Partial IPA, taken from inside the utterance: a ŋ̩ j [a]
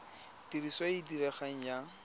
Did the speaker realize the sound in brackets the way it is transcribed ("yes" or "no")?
yes